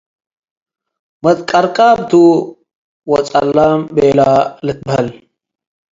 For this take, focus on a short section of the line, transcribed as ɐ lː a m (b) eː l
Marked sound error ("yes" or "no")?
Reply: no